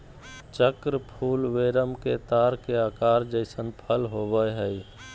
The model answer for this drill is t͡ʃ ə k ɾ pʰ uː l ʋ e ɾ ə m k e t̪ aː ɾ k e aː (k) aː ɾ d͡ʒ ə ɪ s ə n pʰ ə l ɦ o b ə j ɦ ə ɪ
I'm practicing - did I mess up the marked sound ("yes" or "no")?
no